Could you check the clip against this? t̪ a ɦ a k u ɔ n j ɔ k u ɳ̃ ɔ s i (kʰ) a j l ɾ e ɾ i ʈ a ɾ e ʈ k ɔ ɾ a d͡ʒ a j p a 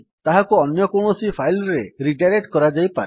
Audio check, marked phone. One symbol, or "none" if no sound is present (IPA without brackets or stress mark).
pʰ